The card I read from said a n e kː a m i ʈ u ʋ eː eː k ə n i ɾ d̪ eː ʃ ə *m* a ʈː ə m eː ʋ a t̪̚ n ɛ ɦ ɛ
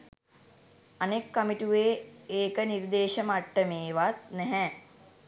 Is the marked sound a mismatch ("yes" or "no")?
no